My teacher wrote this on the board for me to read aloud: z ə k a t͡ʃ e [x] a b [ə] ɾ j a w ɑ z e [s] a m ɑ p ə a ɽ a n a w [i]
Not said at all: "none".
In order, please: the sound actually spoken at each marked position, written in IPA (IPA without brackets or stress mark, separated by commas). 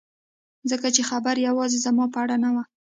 x, a, z, a